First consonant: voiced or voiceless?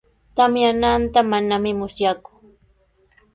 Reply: voiceless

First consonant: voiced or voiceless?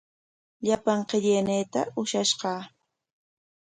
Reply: voiced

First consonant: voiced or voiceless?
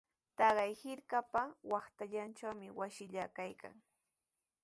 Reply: voiceless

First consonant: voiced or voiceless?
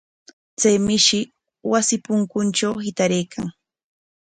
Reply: voiceless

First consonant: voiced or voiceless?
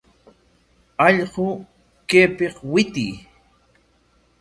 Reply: voiced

